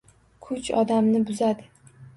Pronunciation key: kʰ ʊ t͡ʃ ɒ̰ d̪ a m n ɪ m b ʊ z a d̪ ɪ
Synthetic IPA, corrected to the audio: kʰ ʊ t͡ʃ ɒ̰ d̪ a m n ɪ b ʊ z a d̪ ɪ